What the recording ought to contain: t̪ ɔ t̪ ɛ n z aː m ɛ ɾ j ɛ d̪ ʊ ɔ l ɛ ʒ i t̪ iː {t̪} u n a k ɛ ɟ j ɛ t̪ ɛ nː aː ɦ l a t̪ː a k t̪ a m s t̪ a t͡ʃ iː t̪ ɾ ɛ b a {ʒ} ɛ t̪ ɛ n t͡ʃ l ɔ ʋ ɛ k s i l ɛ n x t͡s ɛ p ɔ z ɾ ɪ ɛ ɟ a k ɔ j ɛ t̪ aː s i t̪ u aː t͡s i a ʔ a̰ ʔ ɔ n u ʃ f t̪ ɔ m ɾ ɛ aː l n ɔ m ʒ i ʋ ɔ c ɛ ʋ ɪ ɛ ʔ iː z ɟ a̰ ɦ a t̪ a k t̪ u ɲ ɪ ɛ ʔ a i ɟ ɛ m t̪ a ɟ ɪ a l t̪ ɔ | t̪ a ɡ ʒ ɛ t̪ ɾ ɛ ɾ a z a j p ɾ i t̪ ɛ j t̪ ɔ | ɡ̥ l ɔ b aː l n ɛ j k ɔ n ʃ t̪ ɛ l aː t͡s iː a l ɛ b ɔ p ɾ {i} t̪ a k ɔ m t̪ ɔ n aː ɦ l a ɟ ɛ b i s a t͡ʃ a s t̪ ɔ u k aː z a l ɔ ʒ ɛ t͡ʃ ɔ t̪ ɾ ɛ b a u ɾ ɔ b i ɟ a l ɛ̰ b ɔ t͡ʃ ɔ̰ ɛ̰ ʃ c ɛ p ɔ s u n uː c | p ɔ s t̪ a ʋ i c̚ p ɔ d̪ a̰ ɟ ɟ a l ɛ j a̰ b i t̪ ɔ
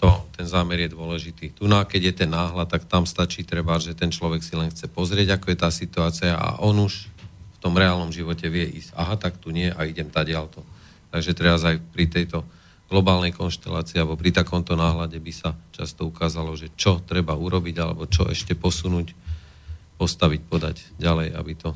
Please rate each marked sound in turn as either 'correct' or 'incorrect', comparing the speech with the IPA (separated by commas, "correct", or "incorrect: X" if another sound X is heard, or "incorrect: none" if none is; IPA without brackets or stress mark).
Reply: correct, correct, correct